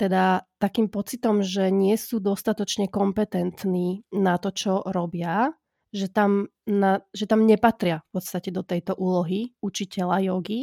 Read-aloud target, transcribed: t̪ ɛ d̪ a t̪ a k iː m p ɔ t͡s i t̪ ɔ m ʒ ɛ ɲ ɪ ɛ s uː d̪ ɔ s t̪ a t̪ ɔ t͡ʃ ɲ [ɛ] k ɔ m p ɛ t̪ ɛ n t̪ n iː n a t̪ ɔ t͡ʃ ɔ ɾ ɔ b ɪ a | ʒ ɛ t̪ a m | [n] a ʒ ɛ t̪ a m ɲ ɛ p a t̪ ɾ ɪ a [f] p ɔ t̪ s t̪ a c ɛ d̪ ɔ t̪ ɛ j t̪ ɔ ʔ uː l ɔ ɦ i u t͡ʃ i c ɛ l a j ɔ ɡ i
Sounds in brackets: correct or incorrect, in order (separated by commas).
correct, correct, correct